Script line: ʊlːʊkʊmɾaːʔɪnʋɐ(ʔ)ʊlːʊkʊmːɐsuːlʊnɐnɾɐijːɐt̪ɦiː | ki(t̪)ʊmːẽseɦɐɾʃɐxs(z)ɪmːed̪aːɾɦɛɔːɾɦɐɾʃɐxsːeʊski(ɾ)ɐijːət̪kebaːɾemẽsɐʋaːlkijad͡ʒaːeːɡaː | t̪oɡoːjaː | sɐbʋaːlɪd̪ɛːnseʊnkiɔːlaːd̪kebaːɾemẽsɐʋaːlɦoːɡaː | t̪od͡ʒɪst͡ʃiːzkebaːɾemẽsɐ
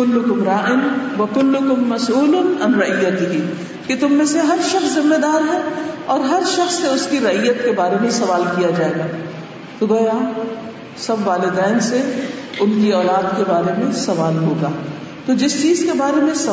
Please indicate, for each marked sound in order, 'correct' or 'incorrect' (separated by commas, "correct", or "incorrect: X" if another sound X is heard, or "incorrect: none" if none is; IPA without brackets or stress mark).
incorrect: k, correct, correct, correct